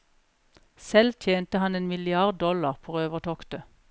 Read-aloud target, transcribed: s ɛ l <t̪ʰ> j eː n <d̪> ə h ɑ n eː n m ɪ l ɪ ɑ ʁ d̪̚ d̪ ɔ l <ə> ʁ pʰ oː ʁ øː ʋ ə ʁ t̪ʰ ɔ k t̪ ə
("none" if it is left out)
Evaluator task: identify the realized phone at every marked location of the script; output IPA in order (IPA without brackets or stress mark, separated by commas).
t̪ʰ, t̪, ɑ